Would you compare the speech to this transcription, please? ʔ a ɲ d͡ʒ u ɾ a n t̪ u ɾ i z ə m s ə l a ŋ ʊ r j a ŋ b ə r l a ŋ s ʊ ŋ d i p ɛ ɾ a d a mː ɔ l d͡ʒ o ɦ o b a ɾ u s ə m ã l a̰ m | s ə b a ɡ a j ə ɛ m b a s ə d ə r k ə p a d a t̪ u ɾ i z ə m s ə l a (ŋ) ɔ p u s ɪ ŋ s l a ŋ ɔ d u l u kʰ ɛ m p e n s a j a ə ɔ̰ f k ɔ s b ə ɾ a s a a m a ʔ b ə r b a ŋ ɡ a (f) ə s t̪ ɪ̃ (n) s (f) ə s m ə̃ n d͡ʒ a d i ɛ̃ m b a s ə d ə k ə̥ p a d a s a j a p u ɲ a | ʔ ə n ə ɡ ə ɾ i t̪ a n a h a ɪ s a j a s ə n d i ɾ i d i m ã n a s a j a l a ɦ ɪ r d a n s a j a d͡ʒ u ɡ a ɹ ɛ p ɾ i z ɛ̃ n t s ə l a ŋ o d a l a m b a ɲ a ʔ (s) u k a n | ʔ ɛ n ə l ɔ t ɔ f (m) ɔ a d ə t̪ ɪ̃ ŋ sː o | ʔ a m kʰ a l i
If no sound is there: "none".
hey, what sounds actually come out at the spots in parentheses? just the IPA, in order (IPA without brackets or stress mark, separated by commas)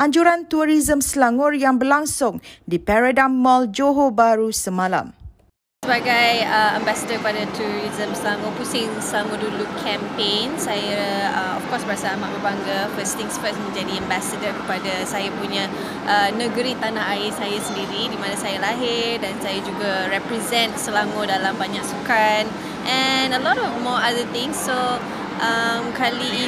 ŋ, f, ŋ, f, s, m